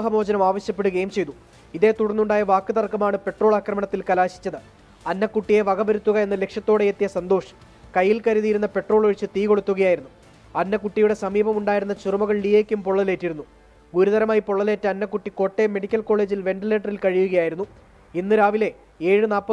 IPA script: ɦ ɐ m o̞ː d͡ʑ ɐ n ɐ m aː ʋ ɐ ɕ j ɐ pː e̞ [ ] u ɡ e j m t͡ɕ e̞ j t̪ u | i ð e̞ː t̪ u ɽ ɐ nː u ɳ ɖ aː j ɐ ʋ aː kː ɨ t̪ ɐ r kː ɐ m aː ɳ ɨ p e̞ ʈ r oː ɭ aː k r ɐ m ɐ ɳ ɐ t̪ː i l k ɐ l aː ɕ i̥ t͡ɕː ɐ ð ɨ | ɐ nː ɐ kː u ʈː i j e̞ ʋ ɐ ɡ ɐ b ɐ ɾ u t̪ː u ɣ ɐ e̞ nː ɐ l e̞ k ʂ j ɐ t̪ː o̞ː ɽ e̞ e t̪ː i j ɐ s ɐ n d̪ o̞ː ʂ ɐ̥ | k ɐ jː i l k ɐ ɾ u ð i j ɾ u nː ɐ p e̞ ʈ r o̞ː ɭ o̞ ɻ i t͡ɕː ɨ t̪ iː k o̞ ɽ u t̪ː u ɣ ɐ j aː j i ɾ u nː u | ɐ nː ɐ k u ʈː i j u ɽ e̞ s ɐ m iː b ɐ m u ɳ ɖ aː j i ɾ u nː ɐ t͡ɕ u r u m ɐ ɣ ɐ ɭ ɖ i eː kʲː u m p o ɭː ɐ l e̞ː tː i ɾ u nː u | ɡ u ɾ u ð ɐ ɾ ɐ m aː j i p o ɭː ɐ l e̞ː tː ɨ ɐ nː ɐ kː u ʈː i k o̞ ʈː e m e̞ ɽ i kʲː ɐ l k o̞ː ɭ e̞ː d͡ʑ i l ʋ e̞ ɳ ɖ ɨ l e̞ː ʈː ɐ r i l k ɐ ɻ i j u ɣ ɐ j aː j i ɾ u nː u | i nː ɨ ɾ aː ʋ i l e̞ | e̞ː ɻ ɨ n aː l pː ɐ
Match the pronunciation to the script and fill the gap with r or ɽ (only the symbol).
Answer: ɽ